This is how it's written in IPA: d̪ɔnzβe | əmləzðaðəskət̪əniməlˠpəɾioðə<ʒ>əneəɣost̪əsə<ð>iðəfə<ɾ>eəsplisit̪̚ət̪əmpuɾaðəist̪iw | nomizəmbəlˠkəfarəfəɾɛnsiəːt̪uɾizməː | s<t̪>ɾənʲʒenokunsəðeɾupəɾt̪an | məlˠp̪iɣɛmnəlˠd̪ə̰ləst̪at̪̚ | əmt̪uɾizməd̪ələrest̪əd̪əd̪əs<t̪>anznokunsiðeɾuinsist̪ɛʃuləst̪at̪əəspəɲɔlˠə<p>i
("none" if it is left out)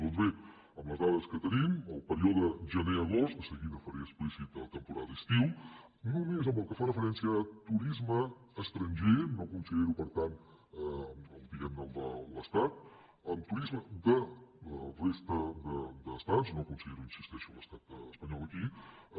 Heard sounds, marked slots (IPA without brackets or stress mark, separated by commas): ʒ, ɣ, ɾ, t̪, t̪, k